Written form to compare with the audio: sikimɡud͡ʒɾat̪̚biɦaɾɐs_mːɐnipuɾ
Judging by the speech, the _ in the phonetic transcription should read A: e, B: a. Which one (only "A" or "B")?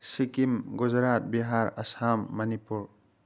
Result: B